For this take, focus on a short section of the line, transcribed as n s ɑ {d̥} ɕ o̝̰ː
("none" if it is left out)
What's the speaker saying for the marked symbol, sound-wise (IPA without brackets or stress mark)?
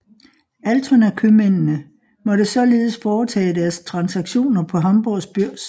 ɡ̥